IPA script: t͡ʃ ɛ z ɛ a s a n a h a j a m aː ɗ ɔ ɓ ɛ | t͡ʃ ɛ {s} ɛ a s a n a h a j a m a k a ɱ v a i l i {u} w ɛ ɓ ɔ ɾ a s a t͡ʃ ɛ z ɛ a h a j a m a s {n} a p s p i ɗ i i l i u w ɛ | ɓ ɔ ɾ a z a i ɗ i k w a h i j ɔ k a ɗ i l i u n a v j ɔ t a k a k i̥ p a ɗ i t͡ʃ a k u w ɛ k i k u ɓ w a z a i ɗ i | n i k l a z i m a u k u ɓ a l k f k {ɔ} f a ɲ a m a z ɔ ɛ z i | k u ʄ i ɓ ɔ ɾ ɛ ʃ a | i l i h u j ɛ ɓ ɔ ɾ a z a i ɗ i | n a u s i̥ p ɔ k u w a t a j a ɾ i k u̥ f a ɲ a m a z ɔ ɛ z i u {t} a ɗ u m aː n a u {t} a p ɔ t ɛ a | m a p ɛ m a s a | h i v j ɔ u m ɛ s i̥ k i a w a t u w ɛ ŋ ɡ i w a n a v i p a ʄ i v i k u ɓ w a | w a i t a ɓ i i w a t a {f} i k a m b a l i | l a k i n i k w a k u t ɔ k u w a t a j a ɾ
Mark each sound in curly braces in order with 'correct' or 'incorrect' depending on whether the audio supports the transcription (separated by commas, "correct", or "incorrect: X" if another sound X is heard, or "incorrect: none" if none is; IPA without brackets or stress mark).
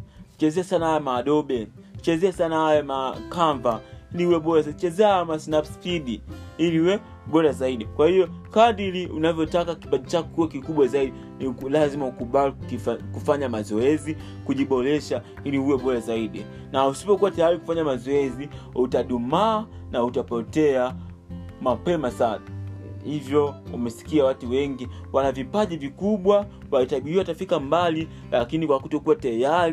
incorrect: z, correct, correct, incorrect: u, correct, correct, correct